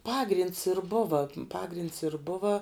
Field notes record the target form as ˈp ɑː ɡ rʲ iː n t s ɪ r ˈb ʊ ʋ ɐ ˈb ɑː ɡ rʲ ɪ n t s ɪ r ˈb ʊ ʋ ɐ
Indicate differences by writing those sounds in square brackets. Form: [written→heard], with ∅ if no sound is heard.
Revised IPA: ˈp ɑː ɡ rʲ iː n t s ɪ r ˈb ʊ ʋ ɐ [ˈb→ˈp] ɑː ɡ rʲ ɪ n t s ɪ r ˈb ʊ ʋ ɐ